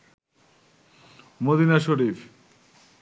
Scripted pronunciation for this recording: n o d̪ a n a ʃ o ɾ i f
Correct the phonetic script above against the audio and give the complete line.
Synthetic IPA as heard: m o d̪ i n a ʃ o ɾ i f